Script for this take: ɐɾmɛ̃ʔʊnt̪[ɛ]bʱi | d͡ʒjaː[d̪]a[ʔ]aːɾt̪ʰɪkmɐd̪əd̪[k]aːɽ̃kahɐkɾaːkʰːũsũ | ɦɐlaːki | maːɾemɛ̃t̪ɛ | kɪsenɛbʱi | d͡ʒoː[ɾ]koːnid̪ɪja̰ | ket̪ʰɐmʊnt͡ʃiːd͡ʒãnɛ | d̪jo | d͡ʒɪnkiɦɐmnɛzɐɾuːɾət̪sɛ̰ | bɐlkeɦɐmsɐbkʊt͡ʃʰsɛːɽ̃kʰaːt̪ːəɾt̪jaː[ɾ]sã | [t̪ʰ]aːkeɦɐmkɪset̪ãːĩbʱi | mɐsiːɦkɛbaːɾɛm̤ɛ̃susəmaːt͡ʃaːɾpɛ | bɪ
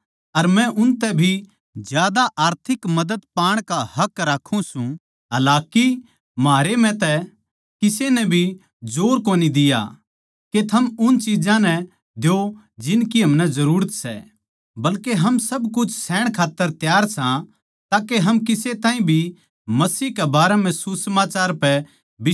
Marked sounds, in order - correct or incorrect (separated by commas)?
correct, correct, correct, incorrect, correct, correct, incorrect